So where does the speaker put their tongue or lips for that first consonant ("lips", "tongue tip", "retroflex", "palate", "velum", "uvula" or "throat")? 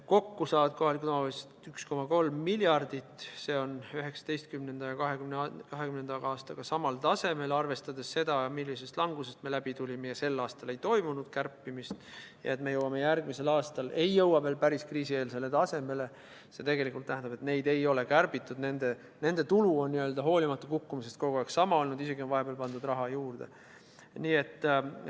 velum